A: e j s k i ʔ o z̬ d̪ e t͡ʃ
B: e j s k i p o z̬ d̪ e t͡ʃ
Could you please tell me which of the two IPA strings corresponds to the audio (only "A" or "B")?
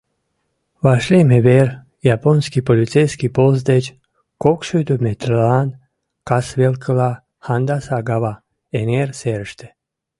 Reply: B